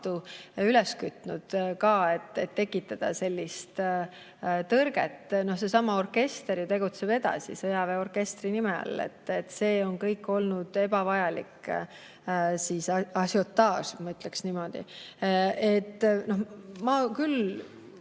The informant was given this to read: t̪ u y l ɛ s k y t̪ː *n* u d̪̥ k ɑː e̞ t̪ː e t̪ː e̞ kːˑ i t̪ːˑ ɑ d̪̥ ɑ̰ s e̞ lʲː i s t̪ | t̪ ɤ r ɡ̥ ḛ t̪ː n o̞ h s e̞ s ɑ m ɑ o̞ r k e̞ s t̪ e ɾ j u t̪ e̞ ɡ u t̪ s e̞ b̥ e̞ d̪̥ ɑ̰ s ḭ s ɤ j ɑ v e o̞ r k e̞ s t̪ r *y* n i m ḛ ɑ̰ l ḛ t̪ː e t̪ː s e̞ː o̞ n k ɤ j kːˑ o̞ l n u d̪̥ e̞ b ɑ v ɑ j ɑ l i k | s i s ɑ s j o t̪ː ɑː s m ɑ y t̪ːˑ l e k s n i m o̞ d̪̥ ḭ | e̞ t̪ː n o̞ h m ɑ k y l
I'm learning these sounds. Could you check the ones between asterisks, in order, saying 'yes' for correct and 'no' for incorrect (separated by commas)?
yes, no